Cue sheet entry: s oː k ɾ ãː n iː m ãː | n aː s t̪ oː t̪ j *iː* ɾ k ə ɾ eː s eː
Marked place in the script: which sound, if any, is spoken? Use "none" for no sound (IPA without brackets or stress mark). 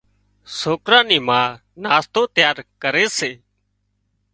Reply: aː